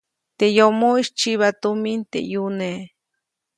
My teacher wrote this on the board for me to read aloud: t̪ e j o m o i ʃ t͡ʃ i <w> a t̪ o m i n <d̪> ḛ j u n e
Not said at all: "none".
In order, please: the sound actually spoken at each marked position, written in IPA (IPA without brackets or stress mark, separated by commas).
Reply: β, t̪